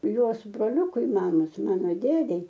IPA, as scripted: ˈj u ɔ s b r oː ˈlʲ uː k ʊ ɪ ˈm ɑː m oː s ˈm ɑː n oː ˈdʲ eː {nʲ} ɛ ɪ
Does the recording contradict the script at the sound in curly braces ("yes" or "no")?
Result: yes